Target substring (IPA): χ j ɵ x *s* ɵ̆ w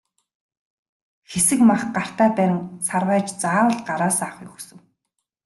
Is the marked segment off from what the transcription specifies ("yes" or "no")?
no